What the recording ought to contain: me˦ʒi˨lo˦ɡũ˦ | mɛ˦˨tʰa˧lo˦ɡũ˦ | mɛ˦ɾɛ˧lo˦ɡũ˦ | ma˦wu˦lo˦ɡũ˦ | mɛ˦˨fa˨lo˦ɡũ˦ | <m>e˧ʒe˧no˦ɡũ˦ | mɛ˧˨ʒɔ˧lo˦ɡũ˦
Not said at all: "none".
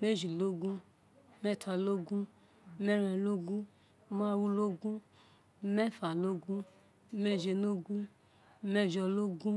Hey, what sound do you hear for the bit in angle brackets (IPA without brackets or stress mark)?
m